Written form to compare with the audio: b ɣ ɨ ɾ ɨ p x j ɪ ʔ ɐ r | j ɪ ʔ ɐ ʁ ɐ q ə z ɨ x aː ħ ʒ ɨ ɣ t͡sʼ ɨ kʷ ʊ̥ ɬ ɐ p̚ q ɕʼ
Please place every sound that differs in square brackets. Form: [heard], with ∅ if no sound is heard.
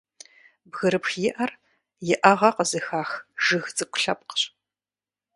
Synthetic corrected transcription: b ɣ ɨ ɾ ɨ p x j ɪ ʔ ɐ r | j ɪ ʔ ɐ ʁ ɐ q ə z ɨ x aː [x] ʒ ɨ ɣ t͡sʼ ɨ kʷ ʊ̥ ɬ ɐ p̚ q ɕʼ